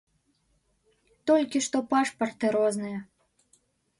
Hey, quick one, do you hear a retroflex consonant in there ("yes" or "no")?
yes